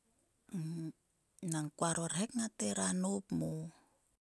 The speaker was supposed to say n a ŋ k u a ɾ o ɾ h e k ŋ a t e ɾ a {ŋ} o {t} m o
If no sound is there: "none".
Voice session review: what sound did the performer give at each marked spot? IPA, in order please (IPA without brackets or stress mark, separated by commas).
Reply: n, p